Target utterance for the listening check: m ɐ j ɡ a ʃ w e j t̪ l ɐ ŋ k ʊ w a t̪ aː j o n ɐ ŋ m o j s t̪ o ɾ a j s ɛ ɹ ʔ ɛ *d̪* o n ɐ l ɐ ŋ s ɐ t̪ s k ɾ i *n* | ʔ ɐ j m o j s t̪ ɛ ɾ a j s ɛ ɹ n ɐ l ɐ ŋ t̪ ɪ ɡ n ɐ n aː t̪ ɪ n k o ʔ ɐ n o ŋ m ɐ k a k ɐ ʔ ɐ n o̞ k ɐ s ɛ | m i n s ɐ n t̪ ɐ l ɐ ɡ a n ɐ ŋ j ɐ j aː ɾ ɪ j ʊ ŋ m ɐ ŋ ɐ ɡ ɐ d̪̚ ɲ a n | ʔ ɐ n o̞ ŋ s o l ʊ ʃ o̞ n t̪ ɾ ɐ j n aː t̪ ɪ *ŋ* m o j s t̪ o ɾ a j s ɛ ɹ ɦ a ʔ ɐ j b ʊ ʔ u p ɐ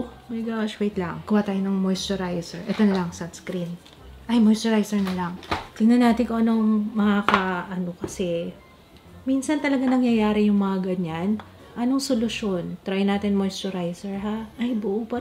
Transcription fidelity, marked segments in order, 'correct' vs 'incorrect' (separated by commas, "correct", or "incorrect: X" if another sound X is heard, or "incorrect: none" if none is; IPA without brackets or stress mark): incorrect: t̪, correct, incorrect: n